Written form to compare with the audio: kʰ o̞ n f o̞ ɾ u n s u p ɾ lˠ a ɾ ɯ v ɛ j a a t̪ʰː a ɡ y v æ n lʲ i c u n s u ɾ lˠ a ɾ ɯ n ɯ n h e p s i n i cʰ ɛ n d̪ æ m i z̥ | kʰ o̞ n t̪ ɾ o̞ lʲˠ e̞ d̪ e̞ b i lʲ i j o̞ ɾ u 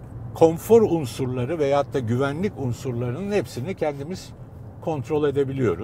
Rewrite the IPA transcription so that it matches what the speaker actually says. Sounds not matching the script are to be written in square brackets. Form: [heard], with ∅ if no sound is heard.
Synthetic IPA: kʰ o̞ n f o̞ ɾ u n s u [∅] ɾ lˠ a ɾ ɯ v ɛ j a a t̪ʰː a [ɟ] y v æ n lʲ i c u n s u ɾ lˠ a ɾ ɯ n ɯ n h e p s i n i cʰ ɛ n d̪ [i] m i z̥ | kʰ o̞ n t̪ ɾ o̞ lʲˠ e̞ d̪ e̞ b i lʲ i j o̞ ɾ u